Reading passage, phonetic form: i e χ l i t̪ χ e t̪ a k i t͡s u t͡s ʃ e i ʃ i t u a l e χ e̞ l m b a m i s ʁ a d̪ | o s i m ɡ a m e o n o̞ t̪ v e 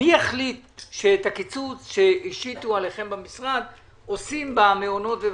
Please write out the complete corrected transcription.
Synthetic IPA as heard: i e χ l i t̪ ʃ e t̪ a k i t͡s u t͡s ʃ e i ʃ i t u a l e χ e̞ m b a m i s ʁ a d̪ | o s i m b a m e o n o̞ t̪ v e